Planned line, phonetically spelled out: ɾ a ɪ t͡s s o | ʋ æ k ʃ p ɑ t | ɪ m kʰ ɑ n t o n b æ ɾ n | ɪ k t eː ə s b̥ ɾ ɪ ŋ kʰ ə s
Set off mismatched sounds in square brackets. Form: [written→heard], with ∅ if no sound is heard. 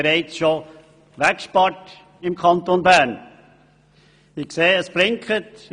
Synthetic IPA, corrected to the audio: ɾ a ɪ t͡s [s→ʃ] o | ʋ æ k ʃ p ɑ t | ɪ m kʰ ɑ n t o n b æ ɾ n | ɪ k [t→s] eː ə s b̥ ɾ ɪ ŋ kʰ ə [s→t]